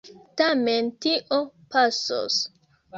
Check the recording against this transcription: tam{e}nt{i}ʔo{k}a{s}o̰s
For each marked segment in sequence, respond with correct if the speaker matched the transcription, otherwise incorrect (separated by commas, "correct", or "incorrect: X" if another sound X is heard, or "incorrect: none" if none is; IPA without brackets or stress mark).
correct, correct, incorrect: p, correct